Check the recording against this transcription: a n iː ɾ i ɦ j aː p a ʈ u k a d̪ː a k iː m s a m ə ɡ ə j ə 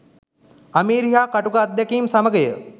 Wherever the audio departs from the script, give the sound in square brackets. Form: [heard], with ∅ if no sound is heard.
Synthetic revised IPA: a [m] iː ɾ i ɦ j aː [k] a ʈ u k a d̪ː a k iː m s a m ə ɡ ə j ə